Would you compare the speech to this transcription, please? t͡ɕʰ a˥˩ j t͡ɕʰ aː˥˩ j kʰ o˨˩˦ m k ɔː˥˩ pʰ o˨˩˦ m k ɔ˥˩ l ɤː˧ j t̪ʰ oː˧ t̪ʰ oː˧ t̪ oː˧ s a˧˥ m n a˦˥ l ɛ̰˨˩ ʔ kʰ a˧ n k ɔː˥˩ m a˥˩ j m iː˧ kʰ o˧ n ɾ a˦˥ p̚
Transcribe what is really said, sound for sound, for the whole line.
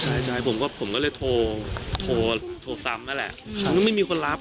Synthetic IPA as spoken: t͡ɕʰ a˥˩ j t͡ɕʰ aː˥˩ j pʰ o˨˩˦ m k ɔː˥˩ pʰ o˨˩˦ m k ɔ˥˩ l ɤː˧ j t̪ʰ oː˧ t̪ʰ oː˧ t̪ʰ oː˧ s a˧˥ m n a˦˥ l ɛ̰˨˩ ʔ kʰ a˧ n k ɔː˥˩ m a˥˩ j m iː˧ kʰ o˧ n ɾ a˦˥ p̚

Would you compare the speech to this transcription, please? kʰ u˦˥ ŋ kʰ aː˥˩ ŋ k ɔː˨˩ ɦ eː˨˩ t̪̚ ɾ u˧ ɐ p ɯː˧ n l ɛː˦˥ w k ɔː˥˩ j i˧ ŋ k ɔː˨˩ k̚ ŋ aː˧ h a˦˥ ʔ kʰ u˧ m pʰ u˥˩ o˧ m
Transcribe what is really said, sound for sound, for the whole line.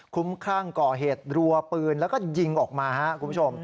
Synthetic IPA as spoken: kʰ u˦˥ m kʰ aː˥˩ ŋ k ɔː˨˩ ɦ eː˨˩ t̪̚ ɾ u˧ ɐ p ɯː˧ n l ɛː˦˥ w k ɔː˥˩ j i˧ ŋ ʔ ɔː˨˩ k̚ m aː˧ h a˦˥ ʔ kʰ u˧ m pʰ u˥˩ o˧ m

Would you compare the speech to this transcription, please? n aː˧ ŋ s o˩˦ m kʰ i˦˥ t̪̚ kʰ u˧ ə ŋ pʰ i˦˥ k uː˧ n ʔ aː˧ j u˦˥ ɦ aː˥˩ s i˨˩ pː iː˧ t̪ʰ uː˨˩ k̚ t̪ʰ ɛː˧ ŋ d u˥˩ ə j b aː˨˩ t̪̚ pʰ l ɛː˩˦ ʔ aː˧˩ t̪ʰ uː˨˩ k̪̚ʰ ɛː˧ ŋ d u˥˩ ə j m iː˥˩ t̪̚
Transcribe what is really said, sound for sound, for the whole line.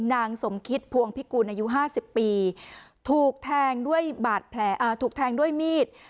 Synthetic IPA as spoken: n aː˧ ŋ s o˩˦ m kʰ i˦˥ t̪̚ pʰ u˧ ə ŋ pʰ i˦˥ k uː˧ n ʔ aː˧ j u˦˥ ɦ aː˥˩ s i˨˩ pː iː˧ t̪ʰ uː˨˩ k̚ t̪ʰ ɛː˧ ŋ d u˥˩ ə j b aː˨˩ t̪̚ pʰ l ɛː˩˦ ʔ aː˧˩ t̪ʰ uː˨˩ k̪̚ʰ ɛː˧ ŋ d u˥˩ ə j m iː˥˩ t̪̚

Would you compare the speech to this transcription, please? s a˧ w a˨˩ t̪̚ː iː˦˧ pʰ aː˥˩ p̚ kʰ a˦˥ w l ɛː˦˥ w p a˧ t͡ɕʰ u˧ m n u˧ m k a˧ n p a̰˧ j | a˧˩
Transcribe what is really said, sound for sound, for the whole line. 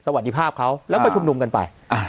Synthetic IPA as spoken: s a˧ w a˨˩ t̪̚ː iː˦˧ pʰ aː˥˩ p̚ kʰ a˦˥ w l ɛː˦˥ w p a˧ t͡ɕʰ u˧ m n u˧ m k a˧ n p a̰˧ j | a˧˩

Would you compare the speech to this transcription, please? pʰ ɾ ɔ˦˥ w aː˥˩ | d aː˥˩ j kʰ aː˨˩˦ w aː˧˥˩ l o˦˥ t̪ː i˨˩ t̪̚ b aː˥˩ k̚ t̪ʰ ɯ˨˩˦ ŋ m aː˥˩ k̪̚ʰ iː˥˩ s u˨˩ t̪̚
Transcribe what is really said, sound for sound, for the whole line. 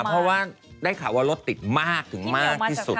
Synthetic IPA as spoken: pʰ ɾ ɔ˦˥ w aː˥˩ | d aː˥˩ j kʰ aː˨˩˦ w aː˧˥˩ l o˦˥ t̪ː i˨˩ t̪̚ m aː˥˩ k̚ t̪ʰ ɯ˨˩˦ ŋ m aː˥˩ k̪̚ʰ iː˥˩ s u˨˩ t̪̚

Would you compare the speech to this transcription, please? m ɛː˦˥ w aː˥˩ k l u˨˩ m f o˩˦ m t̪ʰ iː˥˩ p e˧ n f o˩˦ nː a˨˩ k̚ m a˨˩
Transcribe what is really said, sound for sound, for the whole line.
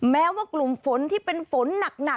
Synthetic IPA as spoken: m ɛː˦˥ w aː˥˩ k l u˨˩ m f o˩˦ n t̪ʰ iː˥˩ p e˧ n f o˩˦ nː a˨˩ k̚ n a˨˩

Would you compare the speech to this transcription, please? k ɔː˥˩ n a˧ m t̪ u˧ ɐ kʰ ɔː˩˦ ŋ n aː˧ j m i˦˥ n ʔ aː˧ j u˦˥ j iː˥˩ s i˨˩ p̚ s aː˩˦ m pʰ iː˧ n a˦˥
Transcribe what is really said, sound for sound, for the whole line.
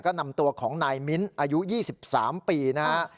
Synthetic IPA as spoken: k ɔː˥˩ n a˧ m t̪ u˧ ɐ kʰ ɔː˩˦ ŋ n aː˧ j m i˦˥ n ʔ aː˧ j u˦˥ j iː˥˩ s i˨˩ p̚ s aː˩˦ m p iː˧ n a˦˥

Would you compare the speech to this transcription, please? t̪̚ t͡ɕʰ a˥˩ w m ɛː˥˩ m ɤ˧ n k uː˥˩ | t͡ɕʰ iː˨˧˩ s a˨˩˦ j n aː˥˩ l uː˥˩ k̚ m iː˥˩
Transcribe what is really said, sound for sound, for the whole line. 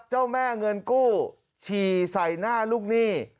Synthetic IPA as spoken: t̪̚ t͡ɕ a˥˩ w m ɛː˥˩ ŋ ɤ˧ n k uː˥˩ | t͡ɕʰ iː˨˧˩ s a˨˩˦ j n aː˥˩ l uː˥˩ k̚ n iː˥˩

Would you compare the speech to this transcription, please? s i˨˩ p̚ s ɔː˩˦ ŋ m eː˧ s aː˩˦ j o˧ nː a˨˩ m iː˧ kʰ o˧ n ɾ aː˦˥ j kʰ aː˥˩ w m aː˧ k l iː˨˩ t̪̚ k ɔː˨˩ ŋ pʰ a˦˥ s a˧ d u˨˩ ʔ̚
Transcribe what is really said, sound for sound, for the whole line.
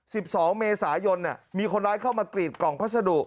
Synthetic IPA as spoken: s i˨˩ p̚ s ɔː˩˦ ŋ m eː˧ s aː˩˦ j o˧ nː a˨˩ m iː˧ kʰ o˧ n ɾ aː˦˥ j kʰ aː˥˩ w m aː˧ k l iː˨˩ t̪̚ k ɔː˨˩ ŋ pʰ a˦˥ s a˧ d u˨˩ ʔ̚

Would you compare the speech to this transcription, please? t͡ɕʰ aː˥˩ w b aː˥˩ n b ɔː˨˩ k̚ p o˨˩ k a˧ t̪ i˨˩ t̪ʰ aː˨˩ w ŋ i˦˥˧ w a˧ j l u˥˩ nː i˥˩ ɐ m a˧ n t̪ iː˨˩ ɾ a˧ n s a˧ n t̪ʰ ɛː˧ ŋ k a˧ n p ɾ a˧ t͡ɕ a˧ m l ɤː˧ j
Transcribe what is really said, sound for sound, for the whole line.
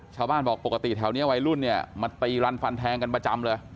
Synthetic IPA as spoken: t͡ɕʰ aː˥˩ w b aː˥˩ n b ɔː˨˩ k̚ p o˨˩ k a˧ t̪ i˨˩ t̪ʰ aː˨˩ w n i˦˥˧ w a˧ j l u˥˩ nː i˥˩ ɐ m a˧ n t̪ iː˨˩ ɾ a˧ n f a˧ n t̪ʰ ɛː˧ ŋ k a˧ n p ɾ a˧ t͡ɕ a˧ m l ɤː˧ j

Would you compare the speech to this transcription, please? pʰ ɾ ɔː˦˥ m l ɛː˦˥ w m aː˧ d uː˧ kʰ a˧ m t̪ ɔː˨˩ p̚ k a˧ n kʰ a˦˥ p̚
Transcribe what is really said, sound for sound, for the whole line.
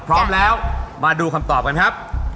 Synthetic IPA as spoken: pʰ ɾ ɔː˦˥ m l ɛː˦˥ w m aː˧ d uː˧ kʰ a˧ m t̪ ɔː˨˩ p̚ k a˧ n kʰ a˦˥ p̚

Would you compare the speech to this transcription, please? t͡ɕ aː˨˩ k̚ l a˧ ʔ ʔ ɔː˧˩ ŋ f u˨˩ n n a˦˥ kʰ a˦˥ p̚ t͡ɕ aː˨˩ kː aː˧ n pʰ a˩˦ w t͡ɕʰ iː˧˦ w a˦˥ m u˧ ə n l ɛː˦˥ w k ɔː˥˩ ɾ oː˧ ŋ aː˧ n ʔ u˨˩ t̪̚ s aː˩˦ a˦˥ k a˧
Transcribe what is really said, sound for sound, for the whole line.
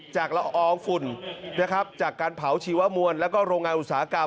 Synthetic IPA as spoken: t͡ɕ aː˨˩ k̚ l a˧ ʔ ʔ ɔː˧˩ ŋ f u˨˩ n n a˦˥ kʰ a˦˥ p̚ t͡ɕ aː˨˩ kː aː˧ n pʰ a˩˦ w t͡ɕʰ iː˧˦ w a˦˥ m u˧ ə n l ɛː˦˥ w k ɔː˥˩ ɾ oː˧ ŋ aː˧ n ʔ u˨˩ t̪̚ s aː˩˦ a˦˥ k a˧

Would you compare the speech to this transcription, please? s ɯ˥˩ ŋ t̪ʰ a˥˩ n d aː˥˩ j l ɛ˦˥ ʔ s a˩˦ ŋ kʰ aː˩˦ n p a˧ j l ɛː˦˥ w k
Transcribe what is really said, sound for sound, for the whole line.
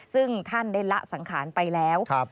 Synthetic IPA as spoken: s ɯ˥˩ ŋ t̪ʰ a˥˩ n d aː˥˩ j l a˦˥ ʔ s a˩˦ ŋ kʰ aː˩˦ n p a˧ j l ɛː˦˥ w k

